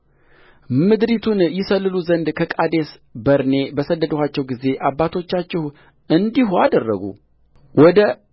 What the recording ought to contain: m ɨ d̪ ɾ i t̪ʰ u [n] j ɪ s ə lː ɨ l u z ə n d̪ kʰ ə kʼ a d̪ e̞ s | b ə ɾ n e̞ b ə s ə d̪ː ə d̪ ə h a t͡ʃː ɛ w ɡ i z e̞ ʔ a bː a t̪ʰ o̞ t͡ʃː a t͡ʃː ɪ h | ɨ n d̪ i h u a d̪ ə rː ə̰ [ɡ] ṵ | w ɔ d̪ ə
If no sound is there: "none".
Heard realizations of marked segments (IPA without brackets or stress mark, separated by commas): n, ɡ